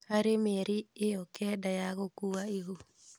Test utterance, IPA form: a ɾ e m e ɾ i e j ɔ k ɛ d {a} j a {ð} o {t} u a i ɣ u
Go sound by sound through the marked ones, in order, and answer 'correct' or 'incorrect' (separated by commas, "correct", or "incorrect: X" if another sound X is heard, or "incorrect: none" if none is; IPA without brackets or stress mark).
correct, incorrect: ɣ, incorrect: k